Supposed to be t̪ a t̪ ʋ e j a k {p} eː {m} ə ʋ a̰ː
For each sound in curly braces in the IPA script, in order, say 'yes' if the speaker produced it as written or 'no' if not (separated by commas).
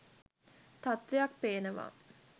yes, no